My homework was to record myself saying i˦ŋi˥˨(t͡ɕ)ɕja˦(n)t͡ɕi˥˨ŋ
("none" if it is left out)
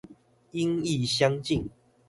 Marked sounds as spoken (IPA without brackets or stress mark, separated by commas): none, ŋ